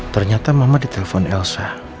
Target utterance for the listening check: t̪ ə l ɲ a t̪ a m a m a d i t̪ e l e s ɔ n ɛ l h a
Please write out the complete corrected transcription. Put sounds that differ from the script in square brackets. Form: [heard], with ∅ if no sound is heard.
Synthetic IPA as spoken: t̪ ə [r] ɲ a t̪ a m a m a d i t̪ e l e [f] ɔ n ɛ l [s] a